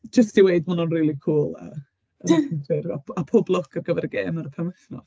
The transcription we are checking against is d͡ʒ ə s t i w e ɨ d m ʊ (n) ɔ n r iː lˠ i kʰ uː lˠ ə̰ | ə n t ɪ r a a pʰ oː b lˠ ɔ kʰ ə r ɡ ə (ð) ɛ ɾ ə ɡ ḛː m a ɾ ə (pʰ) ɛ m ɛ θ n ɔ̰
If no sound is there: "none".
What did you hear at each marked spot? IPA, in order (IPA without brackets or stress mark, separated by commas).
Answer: n, v, pʰ